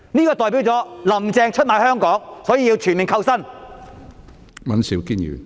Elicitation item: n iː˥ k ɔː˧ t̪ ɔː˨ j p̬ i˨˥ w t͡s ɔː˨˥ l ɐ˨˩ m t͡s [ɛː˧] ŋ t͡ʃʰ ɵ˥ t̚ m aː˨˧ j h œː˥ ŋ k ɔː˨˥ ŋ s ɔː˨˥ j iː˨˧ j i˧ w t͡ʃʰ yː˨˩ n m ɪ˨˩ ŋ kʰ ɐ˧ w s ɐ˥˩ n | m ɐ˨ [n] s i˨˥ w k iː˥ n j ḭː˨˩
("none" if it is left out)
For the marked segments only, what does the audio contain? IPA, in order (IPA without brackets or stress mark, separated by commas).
ɛː˧, n